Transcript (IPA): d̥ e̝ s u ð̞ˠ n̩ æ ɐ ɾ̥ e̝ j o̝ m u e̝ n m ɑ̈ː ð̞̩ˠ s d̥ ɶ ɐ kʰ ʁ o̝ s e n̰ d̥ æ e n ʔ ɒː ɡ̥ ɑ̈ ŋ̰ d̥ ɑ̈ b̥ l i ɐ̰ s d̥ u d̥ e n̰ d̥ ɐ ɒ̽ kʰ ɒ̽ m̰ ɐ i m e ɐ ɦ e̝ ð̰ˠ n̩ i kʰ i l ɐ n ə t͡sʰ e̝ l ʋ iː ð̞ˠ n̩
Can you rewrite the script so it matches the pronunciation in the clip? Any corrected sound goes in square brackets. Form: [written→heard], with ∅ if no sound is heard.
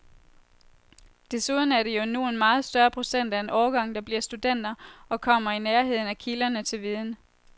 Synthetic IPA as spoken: d̥ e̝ s u ð̞ˠ n̩ æ ɐ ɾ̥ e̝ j o̝ [m→n] u e̝ n m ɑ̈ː ð̞̩ˠ s d̥ ɶ ɐ [kʰ→pʰ] ʁ o̝ s e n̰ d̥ æ e n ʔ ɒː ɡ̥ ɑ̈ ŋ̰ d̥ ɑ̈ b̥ l i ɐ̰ s d̥ u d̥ e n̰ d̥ ɐ ɒ̽ kʰ ɒ̽ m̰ ɐ i [m→n] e ɐ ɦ e̝ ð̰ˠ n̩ [i→æ] kʰ i l ɐ n ə t͡sʰ e̝ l ʋ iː ð̞ˠ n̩